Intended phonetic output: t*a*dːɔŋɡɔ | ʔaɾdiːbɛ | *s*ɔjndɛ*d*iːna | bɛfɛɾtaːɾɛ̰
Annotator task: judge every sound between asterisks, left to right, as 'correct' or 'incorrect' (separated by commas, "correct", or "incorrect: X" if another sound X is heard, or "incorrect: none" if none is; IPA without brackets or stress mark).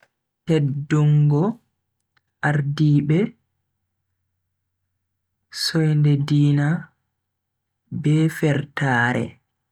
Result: incorrect: ɛ, correct, correct